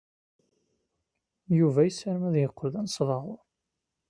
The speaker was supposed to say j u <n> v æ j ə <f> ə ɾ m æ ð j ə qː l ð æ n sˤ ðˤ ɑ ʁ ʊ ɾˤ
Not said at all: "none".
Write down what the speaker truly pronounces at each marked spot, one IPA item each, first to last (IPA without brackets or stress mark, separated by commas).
none, s